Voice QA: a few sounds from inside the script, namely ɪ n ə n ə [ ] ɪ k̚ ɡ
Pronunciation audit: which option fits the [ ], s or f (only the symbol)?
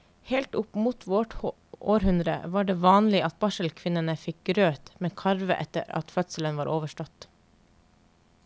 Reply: f